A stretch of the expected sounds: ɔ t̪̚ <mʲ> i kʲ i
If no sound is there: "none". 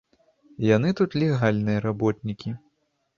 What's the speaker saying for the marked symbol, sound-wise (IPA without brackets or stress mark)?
nʲ